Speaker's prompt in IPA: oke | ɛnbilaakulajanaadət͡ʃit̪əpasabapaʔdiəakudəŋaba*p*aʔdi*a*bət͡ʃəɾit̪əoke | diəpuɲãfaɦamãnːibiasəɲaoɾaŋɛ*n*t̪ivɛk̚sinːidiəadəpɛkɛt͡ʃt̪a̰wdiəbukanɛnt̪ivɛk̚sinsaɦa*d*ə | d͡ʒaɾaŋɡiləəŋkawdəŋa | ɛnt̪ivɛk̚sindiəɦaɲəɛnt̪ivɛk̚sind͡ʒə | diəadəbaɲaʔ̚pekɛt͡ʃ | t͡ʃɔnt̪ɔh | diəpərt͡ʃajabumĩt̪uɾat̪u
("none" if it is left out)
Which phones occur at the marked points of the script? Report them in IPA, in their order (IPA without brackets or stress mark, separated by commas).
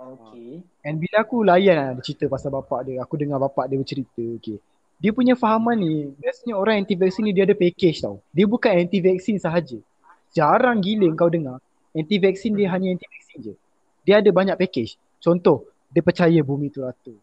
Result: p, ə, n, d͡ʒ